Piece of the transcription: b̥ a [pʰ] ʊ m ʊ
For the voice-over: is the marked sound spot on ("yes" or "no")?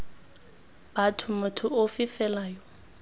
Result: no